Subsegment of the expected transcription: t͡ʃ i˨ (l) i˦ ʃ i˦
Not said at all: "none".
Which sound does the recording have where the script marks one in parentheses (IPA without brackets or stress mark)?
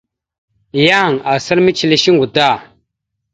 l